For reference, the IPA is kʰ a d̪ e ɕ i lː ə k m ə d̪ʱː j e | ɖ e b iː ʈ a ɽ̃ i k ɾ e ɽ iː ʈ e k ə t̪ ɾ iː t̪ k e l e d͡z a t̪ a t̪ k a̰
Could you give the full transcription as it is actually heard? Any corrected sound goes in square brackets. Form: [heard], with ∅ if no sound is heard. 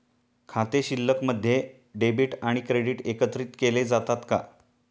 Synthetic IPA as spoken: kʰ a [t̪] e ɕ i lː ə k m ə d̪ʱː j e | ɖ e b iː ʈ a ɽ̃ i k ɾ e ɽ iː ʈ e k ə t̪ ɾ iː t̪ k e l e d͡z a t̪ a t̪ k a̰